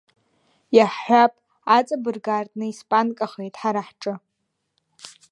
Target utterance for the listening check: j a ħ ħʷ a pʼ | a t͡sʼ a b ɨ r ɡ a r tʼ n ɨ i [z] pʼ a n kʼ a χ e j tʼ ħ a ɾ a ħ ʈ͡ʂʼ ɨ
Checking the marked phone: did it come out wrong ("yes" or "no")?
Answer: yes